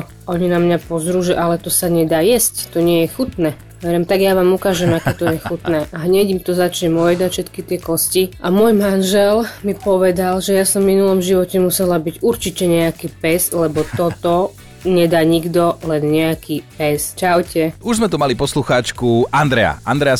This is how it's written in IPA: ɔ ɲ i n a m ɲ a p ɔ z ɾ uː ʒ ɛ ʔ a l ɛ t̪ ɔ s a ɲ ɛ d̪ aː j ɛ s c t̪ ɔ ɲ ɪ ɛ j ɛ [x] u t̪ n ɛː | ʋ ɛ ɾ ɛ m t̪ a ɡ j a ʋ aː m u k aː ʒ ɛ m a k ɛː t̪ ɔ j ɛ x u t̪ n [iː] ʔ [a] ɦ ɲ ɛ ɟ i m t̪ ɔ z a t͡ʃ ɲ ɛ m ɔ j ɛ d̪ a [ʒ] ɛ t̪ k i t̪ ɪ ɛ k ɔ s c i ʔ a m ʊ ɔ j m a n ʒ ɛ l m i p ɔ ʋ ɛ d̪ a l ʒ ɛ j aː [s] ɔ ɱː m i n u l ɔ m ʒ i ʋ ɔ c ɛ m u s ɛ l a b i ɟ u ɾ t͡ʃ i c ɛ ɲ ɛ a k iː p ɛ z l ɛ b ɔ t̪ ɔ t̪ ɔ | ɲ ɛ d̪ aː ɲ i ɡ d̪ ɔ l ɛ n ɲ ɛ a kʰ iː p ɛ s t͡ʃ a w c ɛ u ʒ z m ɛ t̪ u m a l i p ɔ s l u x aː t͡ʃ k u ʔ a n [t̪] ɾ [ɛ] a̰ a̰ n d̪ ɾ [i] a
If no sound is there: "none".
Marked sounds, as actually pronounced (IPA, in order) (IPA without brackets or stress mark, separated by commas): x, ɛː, a, ʃ, s, d̪, ɛ, ɛ